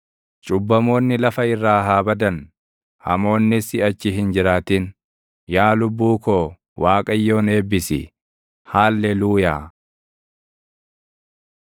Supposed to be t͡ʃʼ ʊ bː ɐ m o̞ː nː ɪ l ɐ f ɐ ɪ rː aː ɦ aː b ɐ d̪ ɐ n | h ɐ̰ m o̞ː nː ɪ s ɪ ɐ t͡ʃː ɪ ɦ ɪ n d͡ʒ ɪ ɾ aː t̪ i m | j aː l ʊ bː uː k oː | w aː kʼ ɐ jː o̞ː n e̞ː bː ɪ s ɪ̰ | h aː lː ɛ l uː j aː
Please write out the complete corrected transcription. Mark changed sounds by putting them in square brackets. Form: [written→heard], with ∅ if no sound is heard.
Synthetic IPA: t͡ʃʼ ʊ bː ɐ m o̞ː nː ɪ l ɐ f ɐ ɪ rː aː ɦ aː b ɐ d̪ ɐ n | h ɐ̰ m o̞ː nː ɪ s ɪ ɐ t͡ʃː ɪ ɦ ɪ n d͡ʒ ɪ ɾ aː t̪ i [m→n] | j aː l ʊ bː uː k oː | w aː kʼ ɐ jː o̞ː n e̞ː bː ɪ s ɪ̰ | h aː lː ɛ l uː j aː